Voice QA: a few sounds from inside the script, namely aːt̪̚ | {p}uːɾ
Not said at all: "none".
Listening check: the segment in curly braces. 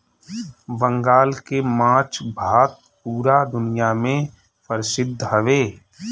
p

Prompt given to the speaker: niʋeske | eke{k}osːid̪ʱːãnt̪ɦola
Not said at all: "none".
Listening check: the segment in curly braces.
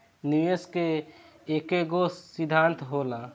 ɡ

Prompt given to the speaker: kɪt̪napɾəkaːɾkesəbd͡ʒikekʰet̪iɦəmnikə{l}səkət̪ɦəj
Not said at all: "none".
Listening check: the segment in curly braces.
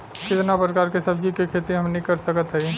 ɾ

